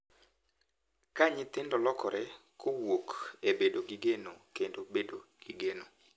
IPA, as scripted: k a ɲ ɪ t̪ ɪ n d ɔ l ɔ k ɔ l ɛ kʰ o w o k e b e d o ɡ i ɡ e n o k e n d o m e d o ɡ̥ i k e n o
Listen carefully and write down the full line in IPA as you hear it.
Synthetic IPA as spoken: k a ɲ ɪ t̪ ɪ n d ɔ l ɔ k ɔ ɾ ɛ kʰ o w o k e b e d o ɡ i ɡ e n o k e n d o b e d o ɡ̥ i ɡ e n o

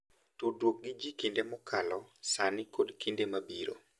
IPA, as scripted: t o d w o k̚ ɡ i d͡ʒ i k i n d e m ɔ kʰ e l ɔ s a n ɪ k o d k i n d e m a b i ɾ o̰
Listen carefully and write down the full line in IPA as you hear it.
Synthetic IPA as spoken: t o d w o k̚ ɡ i d͡ʒ i k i n d e m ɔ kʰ a l ɔ s a n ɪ k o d k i n d e m a b i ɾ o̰

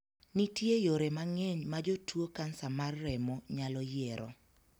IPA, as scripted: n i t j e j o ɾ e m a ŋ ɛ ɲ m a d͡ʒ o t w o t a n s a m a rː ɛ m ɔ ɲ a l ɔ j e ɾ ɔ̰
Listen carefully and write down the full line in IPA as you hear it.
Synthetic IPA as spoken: n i t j e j o ɾ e m a ŋ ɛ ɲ m a d͡ʒ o t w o k a n s a m a rː ɛ m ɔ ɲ a l ɔ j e ɾ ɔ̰

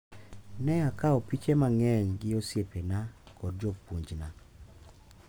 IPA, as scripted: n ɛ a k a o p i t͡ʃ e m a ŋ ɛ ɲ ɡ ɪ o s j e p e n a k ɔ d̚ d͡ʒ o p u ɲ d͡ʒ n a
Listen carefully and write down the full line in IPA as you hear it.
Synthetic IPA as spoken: n ɛ a k a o p i t͡ʃ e m a ŋ ɛ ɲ ɡ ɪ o s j e p e n a k ɔ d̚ d͡ʒ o p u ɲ d͡ʒ n a

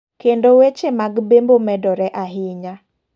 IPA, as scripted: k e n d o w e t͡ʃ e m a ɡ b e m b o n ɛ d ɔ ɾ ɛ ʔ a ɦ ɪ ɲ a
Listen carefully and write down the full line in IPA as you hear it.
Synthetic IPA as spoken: k e n d o w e t͡ʃ e m a ɡ b e m b o m ɛ d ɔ ɾ ɛ ʔ a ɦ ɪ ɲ a

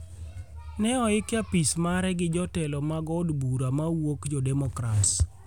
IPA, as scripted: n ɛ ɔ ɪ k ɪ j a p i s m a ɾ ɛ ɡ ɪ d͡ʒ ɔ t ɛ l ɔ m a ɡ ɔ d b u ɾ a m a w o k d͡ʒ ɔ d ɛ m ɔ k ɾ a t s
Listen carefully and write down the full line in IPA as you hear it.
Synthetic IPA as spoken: n ɛ ɔ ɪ k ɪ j a p i s m a ɾ ɛ ɡ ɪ d͡ʒ ɔ t ɛ l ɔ m a ɡ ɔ d b u ɾ a m a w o k d͡ʒ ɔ d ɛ m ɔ k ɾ a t s

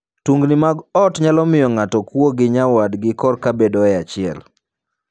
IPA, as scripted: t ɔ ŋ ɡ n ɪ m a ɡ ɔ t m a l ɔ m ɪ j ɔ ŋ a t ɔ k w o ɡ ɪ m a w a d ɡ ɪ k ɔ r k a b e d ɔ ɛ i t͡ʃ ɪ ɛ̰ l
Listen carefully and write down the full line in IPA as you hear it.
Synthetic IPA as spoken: t u ŋ ɡ n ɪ m a ɡ ɔ t ɲ a l ɔ m ɪ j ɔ ŋ a t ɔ k w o ɡ ɪ ɲ a w a d ɡ ɪ k ɔ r k a b e d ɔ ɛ a t͡ʃ ɪ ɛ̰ l

